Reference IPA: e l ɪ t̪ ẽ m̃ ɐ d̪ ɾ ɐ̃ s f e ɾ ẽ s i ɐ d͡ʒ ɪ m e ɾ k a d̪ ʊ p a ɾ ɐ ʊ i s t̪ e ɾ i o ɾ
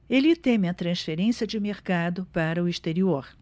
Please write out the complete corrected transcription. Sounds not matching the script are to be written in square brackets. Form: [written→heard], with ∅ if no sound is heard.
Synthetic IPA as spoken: e l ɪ t̪ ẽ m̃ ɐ [d̪→t̪] ɾ ɐ̃ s f e ɾ ẽ s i ɐ d͡ʒ ɪ m e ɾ k a d̪ ʊ p a ɾ ɐ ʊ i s t̪ e ɾ i o ɾ